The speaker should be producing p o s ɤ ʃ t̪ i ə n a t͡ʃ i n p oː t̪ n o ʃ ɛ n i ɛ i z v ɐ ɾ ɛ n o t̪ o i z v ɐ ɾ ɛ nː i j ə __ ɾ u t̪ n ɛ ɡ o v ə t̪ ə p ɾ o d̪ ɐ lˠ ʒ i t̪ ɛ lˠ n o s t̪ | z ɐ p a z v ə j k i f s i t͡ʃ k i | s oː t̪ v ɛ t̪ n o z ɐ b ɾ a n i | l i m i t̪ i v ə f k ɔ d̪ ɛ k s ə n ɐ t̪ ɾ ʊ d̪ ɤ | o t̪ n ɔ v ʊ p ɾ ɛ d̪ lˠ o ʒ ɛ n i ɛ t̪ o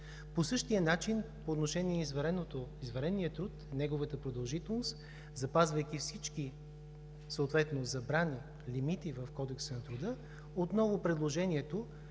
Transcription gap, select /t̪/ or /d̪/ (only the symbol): t̪